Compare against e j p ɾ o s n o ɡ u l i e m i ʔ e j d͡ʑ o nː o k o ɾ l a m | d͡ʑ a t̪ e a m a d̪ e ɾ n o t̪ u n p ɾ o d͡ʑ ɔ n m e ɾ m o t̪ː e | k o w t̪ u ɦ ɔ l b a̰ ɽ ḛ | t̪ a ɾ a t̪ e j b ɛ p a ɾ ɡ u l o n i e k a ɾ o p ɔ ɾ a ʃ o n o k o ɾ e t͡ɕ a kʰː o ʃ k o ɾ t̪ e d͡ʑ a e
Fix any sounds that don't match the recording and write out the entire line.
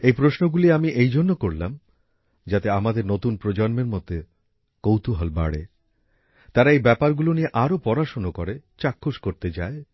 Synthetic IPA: e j p ɾ o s n o ɡ u l i a m i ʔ e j d͡ʑ o nː o k o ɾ l a m | d͡ʑ a t̪ e a m a d̪ e ɾ n o t̪ u n p ɾ o d͡ʑ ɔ n m e ɾ m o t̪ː e | k o w t̪ u ɦ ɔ l b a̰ ɽ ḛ | t̪ a ɾ a e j b ɛ p a ɾ ɡ u l o n i e ʔ a ɾ o p ɔ ɾ a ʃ o n o k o ɾ e t͡ɕ a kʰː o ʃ k o ɾ t̪ e d͡ʑ a e